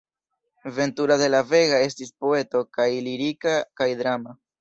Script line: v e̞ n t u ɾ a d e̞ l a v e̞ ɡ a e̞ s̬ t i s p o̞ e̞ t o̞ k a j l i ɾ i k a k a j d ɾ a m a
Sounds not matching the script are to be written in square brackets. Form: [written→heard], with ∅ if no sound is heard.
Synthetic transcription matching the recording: v e̞ n t u ɾ a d e̞ l a v e̞ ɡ a e̞ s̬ t i s p o̞ e̞ t o̞ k a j l i ɾ i k a k a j d ɾ a m a